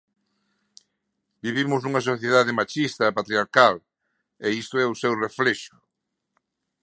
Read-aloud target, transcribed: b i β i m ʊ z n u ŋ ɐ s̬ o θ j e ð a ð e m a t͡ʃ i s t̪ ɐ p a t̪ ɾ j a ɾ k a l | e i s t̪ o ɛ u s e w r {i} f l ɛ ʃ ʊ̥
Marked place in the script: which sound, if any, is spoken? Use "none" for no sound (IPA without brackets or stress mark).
e